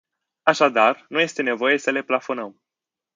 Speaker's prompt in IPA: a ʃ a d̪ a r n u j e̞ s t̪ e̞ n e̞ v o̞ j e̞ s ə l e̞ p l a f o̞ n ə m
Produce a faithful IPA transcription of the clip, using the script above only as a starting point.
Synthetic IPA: a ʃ a d̪ a r n u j e̞ s t̪ e̞ n e̞ v o̞ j e̞ s ə l e̞ p l a f o̞ n ə m